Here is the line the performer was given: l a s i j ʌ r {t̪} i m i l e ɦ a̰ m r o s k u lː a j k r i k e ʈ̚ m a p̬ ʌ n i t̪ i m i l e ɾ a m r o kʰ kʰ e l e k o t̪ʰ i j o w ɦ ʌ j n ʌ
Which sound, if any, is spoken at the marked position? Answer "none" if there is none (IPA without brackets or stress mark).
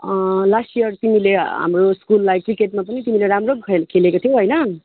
t̪